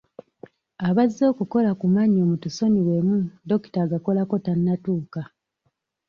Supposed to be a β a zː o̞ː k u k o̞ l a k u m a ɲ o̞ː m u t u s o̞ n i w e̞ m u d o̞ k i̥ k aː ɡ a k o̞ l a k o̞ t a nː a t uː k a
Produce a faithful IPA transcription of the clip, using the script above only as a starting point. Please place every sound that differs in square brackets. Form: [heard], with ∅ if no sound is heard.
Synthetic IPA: a β a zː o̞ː k u k o̞ l a k u m a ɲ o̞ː m u t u s o̞ n i w e̞ m u d o̞ k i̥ [t] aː ɡ a k o̞ l a k o̞ t a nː a t uː k a